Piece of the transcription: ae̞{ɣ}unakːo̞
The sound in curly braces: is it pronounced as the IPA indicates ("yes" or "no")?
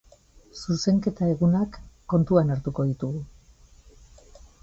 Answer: yes